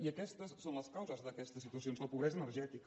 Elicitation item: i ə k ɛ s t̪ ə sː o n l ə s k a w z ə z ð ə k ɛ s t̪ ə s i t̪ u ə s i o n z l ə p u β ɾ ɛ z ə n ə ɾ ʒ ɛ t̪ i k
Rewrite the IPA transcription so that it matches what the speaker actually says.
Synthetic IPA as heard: i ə k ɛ s t̪ ə sː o n l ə s k a w z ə z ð ə k ɛ s t̪ ə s i t̪ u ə s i o n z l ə p u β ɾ ɛ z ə n ə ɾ ʒ ɛ t̪ i k